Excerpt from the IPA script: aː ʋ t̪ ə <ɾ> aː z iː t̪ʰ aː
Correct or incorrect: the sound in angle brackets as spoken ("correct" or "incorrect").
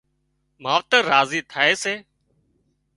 correct